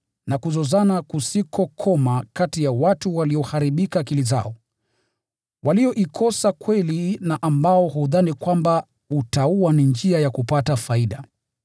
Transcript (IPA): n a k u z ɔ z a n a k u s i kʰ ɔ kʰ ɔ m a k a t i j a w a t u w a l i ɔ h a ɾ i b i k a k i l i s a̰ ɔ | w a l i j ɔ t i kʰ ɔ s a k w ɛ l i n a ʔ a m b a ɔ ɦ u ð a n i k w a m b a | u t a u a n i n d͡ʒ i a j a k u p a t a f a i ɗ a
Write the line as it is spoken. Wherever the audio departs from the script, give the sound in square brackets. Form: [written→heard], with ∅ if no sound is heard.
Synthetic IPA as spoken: n a k u z ɔ z a n a k u s i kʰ ɔ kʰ ɔ m a k a t i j a w a t u w a l i ɔ h a ɾ i [b→ɓ] i k a k i l i [s→z] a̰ ɔ | w a l i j ɔ [t→ʔ] i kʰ ɔ s a k w ɛ l i n a ʔ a m b a ɔ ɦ u ð a n i k w a m b a | u t a u a n i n d͡ʒ i a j a k u p a t a f a i ɗ a